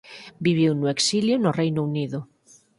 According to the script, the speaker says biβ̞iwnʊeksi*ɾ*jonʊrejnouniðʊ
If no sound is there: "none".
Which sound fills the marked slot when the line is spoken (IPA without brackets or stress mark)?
l